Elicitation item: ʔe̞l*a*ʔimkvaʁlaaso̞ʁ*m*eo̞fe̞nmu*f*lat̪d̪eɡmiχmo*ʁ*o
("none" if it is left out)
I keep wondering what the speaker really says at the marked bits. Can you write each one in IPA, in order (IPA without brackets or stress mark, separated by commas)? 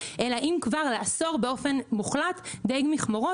a, b, χ, ʁ